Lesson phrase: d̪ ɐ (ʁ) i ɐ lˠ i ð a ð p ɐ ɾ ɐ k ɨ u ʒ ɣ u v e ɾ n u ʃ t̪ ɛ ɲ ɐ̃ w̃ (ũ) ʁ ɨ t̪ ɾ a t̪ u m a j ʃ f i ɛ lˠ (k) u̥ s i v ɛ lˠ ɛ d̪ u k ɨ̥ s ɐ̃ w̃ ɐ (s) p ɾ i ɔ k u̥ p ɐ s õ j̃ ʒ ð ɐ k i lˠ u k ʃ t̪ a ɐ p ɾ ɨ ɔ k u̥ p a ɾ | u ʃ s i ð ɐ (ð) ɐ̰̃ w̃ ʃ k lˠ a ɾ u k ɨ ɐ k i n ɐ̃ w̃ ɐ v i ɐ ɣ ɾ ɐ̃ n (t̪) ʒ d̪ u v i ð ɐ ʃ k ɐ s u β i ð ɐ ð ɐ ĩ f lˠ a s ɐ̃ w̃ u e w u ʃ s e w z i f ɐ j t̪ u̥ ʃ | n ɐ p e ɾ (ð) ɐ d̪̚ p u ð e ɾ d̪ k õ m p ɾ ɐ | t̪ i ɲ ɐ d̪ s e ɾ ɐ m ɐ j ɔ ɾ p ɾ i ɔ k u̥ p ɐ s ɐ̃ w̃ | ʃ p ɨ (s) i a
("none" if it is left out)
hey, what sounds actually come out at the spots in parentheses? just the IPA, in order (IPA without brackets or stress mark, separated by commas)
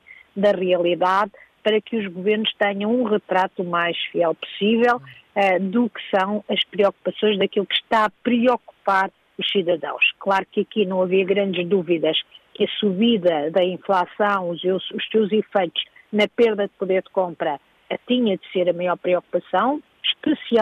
ʁ, ũ, p, ʃ, ð, d̪, ð, s